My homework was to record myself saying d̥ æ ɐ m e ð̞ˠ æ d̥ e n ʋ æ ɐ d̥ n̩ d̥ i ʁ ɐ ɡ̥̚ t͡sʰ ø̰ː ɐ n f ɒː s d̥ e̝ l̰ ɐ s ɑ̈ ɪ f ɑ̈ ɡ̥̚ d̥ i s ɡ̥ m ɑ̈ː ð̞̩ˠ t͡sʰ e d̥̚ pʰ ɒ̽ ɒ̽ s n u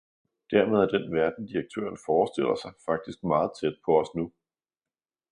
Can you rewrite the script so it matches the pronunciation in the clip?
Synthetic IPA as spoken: d̥ æ ɐ m e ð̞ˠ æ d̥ e n ʋ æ ɐ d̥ n̩ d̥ i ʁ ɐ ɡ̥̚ t͡sʰ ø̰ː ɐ n f ɒː s d̥ e̝ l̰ ɐ s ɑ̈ ɪ f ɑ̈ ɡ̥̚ d̥ i s ɡ̥ m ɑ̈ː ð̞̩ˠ t͡sʰ e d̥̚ pʰ ɒ̽ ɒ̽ s n u